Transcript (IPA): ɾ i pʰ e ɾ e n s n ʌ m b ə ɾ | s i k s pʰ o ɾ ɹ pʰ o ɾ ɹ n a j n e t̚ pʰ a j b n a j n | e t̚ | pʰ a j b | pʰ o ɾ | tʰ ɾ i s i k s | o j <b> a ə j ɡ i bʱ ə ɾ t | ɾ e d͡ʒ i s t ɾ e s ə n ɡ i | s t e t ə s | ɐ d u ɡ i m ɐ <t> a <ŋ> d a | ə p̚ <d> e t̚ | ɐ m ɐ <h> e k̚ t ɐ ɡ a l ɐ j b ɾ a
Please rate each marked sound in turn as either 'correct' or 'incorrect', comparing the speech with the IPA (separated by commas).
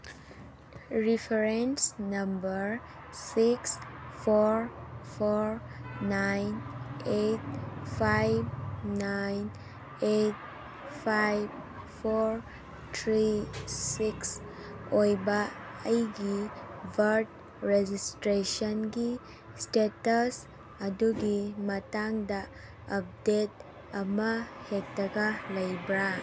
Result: correct, correct, correct, correct, correct